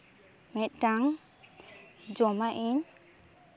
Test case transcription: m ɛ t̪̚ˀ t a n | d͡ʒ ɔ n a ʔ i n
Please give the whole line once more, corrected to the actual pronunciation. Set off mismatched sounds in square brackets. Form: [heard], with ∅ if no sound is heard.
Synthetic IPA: m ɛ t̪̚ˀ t a [ŋ] | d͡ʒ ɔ [m] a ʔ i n